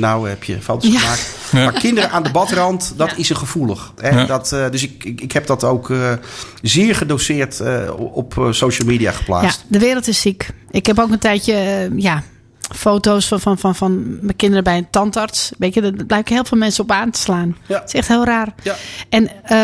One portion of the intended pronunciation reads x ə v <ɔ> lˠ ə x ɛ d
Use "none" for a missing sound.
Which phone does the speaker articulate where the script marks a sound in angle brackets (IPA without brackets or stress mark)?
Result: u